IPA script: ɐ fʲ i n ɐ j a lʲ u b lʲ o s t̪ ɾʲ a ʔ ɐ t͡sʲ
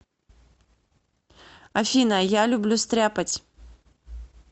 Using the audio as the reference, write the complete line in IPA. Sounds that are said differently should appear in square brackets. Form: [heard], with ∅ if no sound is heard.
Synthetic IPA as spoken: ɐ fʲ i n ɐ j a lʲ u b lʲ [u] s t̪ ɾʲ a [p] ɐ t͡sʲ